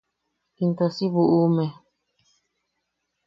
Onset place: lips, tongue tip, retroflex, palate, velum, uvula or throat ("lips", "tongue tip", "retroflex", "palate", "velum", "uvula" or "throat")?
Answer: tongue tip